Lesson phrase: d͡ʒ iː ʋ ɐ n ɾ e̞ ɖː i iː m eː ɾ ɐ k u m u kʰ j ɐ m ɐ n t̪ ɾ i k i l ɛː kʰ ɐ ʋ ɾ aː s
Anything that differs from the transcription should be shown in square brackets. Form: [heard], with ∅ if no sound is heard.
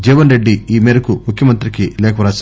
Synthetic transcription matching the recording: d͡ʒ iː ʋ ɐ n ɾ e̞ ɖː i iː m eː ɾ ɐ k u m u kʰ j ɐ m ɐ n t̪ ɾ i k i l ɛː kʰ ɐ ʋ ɾ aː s